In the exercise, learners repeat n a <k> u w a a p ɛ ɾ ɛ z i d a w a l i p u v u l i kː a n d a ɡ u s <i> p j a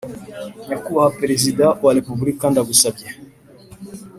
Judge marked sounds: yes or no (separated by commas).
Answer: yes, no